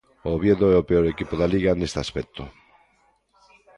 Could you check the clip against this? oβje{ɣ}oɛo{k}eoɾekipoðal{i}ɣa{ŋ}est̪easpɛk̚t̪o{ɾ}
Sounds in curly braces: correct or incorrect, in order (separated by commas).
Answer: incorrect, incorrect, correct, incorrect, incorrect